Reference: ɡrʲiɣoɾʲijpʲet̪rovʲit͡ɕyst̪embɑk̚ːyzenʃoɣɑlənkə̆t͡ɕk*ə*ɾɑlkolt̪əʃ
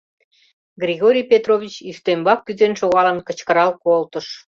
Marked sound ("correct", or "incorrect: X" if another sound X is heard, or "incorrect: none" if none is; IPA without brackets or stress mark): correct